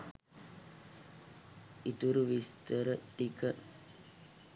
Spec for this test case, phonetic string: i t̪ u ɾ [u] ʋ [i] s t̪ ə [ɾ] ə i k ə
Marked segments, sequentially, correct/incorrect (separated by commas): correct, correct, correct